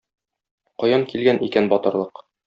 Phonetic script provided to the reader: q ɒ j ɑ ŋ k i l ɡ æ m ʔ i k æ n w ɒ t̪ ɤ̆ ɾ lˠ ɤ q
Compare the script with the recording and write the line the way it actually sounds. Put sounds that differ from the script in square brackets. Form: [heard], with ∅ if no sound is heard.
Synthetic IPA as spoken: q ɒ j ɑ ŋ k i l ɡ æ [n] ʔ i k æ n [b] ɒ t̪ ɤ̆ ɾ lˠ ɤ q